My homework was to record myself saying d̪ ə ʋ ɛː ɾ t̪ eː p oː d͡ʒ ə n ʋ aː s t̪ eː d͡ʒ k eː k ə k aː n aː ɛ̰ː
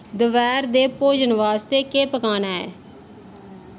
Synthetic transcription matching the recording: d̪ ə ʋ ɛː ɾ d̪ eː p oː d͡ʒ ə n ʋ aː s t̪ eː k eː p ə k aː n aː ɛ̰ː